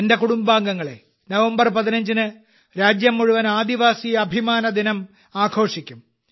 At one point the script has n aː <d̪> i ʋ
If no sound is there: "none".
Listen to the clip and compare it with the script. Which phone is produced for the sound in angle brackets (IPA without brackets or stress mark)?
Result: d̪